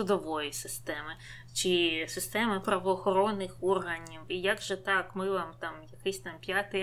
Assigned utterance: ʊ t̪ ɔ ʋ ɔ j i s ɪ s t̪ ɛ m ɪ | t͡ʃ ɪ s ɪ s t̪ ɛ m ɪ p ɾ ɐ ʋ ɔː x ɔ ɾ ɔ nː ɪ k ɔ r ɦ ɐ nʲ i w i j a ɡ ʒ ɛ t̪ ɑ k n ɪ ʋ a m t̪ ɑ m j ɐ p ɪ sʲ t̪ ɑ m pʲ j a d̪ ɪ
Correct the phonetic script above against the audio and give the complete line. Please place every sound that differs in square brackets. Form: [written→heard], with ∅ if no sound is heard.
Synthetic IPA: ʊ [t̪→d̪] ɔ ʋ ɔ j i s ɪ s t̪ ɛ m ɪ | t͡ʃ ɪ s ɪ s t̪ ɛ m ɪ p ɾ ɐ ʋ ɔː x ɔ ɾ ɔ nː ɪ [k→x] ɔ r ɦ ɐ nʲ i w i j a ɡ ʒ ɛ t̪ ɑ k [n→m] ɪ ʋ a m t̪ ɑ m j ɐ [p→k] ɪ sʲ t̪ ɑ m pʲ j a [d̪→t̪] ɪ